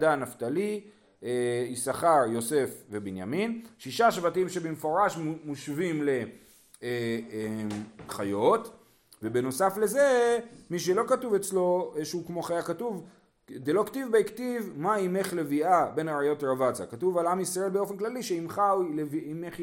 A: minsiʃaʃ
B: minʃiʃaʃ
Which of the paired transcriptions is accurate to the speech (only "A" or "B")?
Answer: B